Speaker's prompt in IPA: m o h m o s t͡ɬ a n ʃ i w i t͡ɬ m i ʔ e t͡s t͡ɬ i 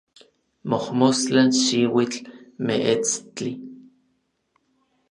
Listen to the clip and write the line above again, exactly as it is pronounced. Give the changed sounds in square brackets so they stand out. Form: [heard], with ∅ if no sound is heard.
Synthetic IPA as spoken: m o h m o s t͡ɬ a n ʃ i w i t͡ɬ m [e] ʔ e t͡s t͡ɬ i